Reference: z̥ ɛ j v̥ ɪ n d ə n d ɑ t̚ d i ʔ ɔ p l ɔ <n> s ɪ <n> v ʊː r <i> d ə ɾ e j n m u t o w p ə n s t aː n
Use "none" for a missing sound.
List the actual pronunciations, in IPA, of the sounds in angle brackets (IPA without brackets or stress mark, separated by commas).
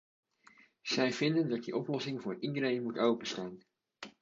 none, ŋ, i